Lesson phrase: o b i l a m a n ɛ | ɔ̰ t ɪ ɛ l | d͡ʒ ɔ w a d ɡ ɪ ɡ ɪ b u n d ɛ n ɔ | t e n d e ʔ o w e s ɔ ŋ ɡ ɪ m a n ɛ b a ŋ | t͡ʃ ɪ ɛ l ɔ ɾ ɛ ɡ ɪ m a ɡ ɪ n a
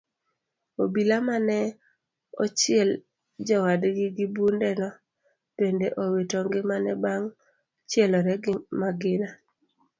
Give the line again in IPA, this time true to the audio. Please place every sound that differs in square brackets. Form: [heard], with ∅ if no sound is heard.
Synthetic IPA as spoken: o b i l a m a n ɛ | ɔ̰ [t͡ʃ] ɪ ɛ l | d͡ʒ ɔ w a d ɡ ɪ ɡ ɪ b u n d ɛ n ɔ | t e n d e ʔ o w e [t] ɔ ŋ ɡ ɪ m a n ɛ b a ŋ | t͡ʃ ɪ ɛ l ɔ ɾ ɛ ɡ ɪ m a ɡ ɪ n a